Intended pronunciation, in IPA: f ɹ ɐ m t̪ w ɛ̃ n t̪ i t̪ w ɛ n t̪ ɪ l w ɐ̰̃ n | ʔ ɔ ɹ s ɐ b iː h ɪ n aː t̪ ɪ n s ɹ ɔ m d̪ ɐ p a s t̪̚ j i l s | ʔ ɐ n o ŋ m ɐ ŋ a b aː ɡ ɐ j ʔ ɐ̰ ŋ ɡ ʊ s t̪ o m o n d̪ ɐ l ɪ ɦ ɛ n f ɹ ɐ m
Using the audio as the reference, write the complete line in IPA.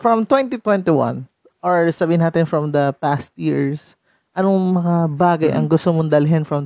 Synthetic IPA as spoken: f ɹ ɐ m t̪ w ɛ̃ n t̪ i t̪ w ɛ n t̪ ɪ w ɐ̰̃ n | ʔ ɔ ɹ s ɐ b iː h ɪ n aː t̪ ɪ n f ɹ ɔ m d̪ ɐ p a s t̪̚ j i ɹ s | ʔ ɐ n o ŋ m ɐ ŋ a b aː ɡ ɐ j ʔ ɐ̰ ŋ ɡ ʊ s t̪ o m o n d̪ ɐ l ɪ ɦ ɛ n f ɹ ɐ m